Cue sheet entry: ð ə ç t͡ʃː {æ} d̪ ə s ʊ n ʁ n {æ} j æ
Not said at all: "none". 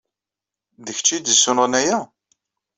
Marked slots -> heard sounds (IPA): i, æ

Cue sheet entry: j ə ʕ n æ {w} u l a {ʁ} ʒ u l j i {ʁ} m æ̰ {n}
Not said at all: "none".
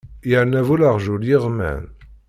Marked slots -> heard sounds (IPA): v, ʁ, ʁ, n

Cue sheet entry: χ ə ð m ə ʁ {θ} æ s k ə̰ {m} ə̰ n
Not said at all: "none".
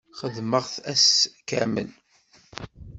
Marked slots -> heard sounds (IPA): θ, m

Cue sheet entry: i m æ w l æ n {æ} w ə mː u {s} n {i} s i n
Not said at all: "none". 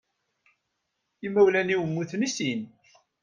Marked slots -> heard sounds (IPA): i, θ, i

